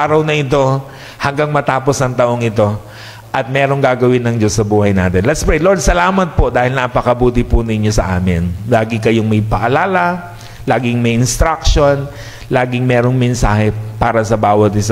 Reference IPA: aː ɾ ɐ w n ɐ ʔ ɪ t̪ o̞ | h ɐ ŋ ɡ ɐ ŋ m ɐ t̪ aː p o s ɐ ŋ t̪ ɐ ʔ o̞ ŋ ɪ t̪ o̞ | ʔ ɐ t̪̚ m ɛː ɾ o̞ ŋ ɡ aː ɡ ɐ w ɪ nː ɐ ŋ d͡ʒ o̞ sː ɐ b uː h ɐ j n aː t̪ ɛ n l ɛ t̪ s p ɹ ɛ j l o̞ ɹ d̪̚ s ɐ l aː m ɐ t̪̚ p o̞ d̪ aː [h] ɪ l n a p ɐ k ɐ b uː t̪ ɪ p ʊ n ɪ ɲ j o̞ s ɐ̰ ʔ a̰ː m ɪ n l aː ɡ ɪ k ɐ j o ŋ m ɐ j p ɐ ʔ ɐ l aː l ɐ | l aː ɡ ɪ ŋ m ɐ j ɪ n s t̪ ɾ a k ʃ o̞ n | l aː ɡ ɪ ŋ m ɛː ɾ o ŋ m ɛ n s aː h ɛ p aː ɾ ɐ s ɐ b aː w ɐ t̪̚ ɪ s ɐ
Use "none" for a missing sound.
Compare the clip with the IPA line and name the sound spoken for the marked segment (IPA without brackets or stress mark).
h